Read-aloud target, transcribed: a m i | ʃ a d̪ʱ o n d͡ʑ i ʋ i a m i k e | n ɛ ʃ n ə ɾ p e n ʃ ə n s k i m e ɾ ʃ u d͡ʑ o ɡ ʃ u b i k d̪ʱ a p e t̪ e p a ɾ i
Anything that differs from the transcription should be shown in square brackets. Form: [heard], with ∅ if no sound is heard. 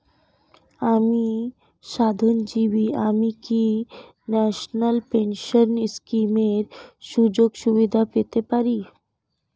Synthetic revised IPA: a m i | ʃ a d̪ʱ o n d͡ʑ i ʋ i a m i k [i] | n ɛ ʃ n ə [l] p e n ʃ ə n s k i m e ɾ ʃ u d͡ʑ o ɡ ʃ u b i [∅] d̪ʱ a p e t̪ e p a ɾ i

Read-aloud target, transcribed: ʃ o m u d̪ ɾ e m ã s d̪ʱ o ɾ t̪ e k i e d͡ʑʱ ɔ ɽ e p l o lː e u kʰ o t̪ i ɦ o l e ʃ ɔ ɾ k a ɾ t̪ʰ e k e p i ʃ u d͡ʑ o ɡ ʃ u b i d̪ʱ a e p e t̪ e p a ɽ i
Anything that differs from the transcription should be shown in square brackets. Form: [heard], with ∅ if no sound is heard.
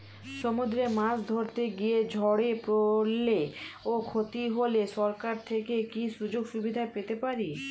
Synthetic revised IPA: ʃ o m u d̪ ɾ e m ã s d̪ʱ o ɾ t̪ e [ɡ] i e d͡ʑʱ ɔ ɽ e p [ɾ] o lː e [o] kʰ o t̪ i ɦ o l e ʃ ɔ ɾ k a ɾ t̪ʰ e k e [k] i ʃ u d͡ʑ o ɡ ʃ u b i d̪ʱ a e p e t̪ e p a [ɾ] i

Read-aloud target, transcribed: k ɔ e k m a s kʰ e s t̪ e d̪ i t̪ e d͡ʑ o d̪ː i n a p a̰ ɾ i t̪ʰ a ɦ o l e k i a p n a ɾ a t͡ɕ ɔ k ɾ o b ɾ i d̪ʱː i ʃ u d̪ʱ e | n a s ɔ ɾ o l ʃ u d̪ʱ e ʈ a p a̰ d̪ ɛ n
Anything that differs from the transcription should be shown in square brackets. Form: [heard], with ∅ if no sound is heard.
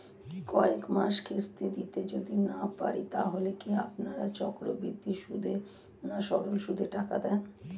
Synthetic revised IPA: k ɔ e k m a [ʃ] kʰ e s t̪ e d̪ i t̪ e d͡ʑ o [d̪] i n a p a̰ ɾ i [t̪] a ɦ o l e k i a p n a ɾ a t͡ɕ ɔ k ɾ o b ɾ i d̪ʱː i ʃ u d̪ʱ e | n a [ʃ] ɔ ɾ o l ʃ u d̪ʱ e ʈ a [k] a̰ d̪ ɛ n

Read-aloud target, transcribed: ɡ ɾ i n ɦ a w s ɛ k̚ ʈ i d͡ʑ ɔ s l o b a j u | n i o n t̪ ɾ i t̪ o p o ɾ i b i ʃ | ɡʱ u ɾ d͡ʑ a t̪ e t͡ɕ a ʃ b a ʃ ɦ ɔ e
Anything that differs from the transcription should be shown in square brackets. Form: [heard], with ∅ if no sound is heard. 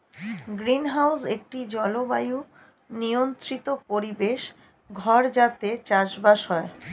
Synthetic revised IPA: ɡ ɾ i n ɦ a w s [e] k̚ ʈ i d͡ʑ ɔ [∅] l o b a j u | n i o n t̪ ɾ i t̪ o p o ɾ i b [e] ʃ | ɡʱ [ɔ] ɾ d͡ʑ a t̪ e t͡ɕ a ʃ b a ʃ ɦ ɔ e

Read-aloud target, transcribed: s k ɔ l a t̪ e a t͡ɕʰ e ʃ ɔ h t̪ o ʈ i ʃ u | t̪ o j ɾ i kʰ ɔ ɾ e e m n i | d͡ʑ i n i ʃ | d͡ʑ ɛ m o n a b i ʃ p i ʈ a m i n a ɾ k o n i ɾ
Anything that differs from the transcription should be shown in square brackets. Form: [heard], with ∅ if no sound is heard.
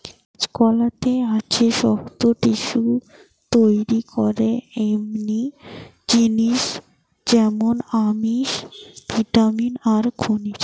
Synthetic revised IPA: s k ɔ l a t̪ e a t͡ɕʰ e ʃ ɔ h t̪ o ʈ i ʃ u | t̪ o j ɾ i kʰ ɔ ɾ e e m n i | d͡ʑ i n i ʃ | d͡ʑ ɛ m o n a [m] i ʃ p i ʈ a m i n a ɾ [kʰ] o n i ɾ

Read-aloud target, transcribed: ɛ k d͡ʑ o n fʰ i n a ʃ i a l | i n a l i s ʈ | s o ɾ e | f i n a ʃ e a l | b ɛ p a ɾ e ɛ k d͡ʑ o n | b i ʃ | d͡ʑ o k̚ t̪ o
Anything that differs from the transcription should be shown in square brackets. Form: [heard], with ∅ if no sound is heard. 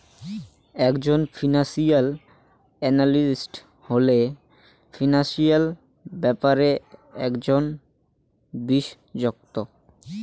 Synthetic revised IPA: ɛ k d͡ʑ o n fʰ i n a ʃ i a l | [ɛ] n a l i s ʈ | [h] o [l] e | f i n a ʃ [i] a l | b ɛ p a ɾ e ɛ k d͡ʑ o n | b i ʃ | d͡ʑ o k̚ t̪ o

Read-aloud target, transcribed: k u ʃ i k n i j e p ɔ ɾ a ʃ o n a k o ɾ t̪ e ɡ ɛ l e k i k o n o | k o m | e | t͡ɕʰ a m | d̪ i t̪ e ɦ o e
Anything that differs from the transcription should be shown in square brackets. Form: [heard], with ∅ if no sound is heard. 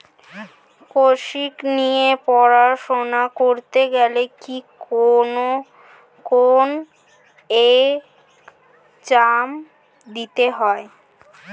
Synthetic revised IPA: k [o] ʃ i k n i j e p ɔ ɾ a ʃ o n a k o ɾ t̪ e ɡ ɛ l e k i k o n o | k o [n] | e | [t͡ɕ] a m | d̪ i t̪ e ɦ [ɔ] e

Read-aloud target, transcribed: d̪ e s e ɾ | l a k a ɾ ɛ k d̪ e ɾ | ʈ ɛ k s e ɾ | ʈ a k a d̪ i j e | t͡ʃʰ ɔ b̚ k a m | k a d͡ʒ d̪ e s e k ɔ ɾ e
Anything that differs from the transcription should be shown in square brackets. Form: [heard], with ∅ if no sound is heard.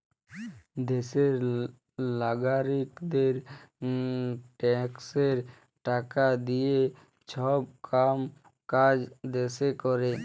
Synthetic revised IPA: d̪ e s e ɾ | l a [ɡ] a ɾ [i] k d̪ e ɾ | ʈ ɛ k s e ɾ | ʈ a k a d̪ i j e | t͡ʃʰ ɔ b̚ k a m | k a d͡ʒ d̪ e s e k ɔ ɾ e

